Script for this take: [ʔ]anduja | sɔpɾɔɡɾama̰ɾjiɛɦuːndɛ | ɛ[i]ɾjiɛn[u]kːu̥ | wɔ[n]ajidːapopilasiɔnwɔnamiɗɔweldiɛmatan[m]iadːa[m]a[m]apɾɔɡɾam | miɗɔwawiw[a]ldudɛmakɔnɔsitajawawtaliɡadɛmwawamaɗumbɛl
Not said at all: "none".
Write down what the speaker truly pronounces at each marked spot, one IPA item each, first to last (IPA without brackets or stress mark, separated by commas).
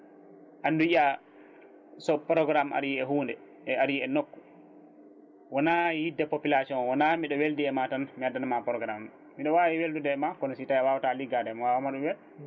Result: ʔ, a, o, n, m, n, m, e